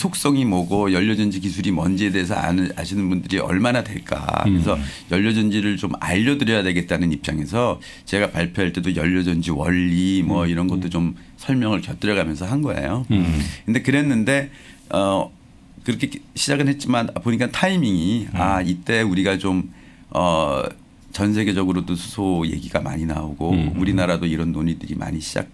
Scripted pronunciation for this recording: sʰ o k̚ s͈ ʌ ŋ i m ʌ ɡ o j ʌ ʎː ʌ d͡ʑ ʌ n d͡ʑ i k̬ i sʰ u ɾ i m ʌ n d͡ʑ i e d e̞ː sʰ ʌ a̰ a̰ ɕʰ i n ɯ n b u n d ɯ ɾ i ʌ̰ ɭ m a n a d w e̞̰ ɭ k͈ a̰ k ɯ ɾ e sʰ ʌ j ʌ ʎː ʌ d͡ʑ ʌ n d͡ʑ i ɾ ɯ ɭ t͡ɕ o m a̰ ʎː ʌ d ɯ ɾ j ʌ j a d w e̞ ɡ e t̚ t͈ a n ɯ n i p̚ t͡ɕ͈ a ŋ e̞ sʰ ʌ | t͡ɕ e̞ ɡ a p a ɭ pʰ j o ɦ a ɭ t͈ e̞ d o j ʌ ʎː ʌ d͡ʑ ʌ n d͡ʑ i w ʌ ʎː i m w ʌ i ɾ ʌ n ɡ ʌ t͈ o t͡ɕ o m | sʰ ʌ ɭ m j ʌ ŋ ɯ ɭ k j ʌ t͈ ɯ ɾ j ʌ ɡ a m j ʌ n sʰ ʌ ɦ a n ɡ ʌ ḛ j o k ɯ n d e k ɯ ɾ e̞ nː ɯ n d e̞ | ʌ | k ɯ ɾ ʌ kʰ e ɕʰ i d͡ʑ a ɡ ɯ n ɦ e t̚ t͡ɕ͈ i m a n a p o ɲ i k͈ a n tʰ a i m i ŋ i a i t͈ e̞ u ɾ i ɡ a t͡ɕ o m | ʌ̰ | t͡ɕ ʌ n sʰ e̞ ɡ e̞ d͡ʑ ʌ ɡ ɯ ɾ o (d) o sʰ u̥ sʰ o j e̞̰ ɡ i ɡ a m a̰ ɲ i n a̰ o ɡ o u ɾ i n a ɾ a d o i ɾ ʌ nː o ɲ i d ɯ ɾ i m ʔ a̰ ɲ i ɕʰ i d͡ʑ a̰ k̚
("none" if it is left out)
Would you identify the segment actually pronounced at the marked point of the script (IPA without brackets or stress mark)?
d